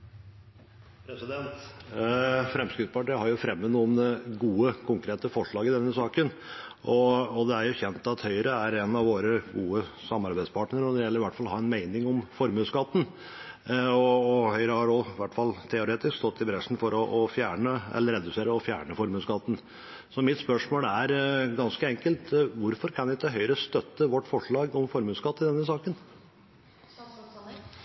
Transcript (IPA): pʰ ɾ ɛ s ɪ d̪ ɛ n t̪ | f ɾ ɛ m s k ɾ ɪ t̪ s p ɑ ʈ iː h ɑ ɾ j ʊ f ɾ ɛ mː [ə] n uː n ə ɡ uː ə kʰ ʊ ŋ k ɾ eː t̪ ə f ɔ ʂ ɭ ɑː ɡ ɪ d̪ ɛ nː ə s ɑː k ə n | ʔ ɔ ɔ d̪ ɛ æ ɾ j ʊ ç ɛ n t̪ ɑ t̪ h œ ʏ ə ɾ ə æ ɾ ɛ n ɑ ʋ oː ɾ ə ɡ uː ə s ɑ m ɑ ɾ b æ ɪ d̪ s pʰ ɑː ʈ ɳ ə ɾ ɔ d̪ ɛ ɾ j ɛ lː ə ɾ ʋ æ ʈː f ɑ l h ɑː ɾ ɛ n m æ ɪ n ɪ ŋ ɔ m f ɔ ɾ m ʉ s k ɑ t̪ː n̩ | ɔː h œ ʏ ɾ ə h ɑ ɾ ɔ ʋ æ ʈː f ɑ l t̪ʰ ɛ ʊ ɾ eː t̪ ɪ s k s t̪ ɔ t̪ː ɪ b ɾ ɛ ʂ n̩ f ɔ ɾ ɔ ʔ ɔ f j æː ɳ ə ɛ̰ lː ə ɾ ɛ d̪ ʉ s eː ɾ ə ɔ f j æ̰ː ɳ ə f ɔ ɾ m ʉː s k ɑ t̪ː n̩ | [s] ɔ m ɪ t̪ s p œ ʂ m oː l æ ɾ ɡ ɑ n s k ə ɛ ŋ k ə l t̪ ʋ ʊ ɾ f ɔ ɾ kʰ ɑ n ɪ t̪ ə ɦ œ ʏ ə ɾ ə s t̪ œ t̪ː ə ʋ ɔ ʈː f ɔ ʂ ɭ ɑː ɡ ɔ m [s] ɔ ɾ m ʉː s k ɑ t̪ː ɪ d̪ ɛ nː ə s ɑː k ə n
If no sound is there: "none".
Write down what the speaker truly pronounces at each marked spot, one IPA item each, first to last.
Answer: ə, s, f

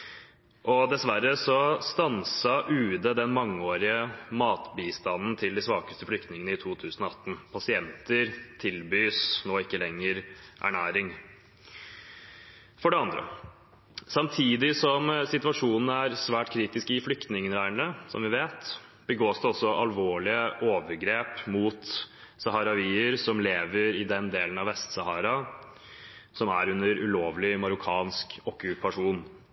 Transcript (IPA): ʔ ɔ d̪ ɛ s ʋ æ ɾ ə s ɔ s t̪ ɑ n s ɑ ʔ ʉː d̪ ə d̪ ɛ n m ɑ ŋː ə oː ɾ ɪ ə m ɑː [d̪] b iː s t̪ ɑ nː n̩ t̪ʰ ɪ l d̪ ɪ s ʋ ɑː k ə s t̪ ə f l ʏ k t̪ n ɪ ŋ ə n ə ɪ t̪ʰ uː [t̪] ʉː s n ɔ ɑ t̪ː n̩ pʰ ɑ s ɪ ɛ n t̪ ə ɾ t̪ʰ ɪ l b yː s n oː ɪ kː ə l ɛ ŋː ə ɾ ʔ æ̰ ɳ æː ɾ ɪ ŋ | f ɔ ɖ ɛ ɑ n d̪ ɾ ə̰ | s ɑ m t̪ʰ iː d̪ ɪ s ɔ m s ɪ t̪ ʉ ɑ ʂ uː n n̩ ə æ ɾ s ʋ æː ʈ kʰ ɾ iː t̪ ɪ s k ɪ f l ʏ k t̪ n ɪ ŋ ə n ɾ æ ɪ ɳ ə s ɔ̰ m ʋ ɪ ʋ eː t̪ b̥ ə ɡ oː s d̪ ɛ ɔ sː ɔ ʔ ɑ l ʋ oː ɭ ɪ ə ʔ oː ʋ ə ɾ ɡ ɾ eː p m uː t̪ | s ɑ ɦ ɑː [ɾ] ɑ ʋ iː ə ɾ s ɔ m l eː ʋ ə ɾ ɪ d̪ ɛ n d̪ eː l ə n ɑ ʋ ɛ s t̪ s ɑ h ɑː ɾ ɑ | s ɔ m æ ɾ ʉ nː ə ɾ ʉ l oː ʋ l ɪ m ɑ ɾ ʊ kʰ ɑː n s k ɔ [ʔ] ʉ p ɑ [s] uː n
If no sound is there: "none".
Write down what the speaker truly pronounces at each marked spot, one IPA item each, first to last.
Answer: t̪, t̪ʰ, ɾ, k, ʂ

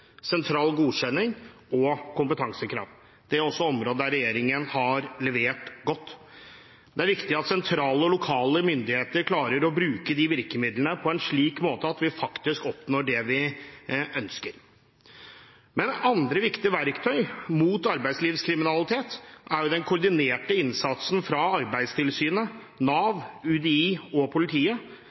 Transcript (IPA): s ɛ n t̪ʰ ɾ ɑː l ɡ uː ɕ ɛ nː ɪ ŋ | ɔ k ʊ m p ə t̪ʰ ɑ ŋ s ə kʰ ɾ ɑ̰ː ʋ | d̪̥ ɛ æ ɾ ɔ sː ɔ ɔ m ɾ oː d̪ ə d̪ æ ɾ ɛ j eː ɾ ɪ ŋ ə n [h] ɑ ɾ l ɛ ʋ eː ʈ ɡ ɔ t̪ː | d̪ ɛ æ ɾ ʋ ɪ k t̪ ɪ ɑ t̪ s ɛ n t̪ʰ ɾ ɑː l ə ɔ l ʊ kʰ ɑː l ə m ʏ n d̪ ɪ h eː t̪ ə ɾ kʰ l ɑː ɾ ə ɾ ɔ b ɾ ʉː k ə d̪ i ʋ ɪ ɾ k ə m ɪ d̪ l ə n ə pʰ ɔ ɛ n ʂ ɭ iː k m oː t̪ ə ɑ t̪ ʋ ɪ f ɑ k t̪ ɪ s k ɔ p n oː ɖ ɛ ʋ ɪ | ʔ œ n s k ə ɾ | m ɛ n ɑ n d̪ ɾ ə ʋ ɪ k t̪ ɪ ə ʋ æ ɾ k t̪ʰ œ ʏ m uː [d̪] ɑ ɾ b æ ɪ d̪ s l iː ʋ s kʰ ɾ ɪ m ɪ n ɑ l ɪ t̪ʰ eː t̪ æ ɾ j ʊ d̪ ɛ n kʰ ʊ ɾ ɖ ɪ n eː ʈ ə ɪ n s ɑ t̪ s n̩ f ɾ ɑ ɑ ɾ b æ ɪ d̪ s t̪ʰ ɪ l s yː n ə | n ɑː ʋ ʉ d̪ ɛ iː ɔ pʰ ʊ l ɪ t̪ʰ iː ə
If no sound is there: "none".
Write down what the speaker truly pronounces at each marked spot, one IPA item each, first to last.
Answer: h, t̪

